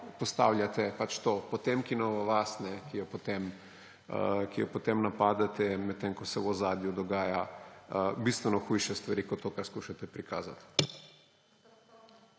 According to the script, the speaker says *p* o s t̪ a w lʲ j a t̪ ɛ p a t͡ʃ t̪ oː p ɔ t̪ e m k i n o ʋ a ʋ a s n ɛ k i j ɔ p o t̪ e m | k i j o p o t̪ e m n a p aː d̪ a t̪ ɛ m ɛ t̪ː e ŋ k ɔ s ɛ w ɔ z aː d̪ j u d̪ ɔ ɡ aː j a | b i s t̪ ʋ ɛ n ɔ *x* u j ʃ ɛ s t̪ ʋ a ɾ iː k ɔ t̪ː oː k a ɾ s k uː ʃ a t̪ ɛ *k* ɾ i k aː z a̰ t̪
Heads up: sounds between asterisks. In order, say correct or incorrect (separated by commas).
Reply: correct, correct, incorrect